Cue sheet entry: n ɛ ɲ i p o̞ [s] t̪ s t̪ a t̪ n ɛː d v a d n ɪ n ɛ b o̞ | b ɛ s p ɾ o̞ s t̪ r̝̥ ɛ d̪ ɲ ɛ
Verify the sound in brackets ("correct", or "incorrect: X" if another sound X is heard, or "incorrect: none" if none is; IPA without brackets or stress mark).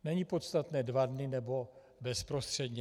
incorrect: none